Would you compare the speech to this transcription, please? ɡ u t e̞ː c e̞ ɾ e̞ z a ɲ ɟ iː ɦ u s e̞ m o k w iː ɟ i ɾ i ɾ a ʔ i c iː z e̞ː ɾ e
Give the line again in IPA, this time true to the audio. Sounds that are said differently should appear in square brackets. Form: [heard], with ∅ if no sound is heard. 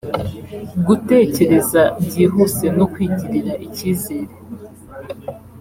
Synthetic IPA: ɡ u t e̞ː c e̞ ɾ e̞ z a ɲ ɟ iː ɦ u s e̞ [n] o k w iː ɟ i ɾ i ɾ a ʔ i c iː z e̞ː ɾ e